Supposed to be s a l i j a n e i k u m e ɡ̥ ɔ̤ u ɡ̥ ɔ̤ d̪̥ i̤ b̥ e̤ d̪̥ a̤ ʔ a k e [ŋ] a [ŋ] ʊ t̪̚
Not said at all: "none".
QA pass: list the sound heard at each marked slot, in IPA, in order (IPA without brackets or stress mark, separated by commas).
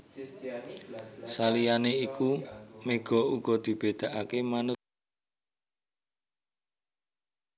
m, n